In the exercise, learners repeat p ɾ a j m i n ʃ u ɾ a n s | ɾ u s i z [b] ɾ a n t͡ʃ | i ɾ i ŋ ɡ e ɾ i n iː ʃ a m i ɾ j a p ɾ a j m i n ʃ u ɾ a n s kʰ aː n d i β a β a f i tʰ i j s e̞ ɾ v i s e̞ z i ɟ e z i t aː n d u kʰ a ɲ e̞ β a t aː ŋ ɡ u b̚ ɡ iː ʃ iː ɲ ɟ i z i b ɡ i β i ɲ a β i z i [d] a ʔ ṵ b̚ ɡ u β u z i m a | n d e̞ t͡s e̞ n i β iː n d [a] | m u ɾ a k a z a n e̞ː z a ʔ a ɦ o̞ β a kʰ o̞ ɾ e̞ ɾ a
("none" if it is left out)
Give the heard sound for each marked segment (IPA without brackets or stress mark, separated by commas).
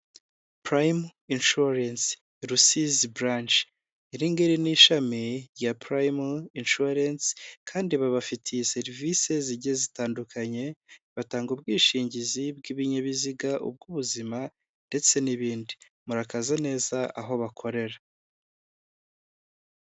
b, ɡ, i